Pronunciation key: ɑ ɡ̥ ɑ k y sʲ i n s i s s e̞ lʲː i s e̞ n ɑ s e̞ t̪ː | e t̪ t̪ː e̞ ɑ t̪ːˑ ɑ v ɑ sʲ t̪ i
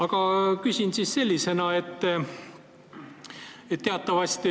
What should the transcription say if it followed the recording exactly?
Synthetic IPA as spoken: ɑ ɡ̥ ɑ k y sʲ i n s i s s e̞ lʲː i s e̞ n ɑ e̞ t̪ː | e t̪ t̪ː e̞ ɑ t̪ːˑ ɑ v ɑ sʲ t̪ i